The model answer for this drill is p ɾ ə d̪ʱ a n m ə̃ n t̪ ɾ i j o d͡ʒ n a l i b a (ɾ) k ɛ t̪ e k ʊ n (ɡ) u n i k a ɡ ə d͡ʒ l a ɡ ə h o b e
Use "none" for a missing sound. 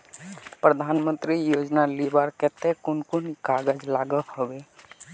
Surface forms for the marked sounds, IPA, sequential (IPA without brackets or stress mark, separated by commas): ɾ, k